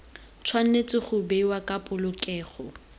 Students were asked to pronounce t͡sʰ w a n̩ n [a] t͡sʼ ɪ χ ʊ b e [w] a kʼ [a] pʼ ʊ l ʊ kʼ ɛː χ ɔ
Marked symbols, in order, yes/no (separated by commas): no, yes, yes